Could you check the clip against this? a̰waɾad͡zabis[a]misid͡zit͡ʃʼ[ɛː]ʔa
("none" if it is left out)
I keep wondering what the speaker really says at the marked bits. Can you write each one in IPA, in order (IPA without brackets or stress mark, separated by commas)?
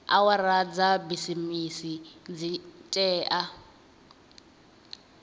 i, ɛː